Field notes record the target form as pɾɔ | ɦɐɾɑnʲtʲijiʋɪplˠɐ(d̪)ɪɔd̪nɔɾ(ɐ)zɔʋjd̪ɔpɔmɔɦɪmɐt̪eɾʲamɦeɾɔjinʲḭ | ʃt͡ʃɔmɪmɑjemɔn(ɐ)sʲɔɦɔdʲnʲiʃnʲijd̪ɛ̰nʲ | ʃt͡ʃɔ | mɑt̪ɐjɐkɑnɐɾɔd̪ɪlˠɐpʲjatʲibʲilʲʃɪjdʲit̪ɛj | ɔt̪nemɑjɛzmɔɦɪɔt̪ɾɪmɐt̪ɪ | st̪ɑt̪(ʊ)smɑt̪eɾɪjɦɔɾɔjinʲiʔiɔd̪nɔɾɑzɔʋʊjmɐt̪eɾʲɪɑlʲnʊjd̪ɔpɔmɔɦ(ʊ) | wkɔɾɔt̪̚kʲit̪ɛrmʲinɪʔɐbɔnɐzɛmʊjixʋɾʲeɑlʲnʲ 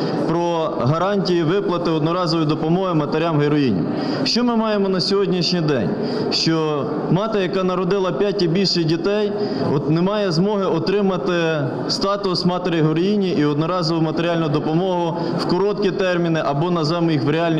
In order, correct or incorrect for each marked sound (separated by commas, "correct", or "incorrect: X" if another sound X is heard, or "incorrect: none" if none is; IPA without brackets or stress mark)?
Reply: incorrect: t̪, incorrect: ɑ, correct, correct, correct